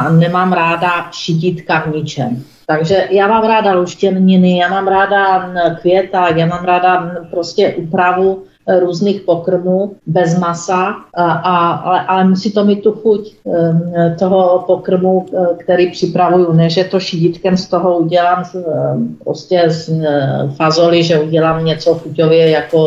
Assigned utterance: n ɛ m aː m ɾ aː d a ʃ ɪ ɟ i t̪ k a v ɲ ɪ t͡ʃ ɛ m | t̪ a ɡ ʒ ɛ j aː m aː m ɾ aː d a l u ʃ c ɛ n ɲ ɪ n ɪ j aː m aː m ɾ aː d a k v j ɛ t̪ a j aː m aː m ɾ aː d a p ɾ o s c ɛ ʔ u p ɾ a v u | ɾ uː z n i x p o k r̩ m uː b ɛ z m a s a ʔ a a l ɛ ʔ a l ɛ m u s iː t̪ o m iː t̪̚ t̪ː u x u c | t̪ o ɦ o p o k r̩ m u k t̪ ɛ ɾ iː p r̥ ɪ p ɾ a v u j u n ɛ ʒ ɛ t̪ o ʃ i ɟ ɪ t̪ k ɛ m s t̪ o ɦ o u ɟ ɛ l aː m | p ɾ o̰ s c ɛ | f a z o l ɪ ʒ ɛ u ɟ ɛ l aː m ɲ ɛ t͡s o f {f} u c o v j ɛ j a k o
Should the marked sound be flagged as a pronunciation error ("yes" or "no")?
yes